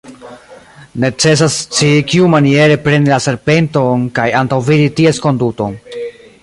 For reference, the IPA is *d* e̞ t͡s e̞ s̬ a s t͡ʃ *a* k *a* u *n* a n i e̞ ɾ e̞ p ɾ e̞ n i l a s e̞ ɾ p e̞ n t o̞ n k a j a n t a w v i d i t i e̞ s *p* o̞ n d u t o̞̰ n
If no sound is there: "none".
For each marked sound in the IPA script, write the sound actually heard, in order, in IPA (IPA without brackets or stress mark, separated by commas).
n, i, i, m, k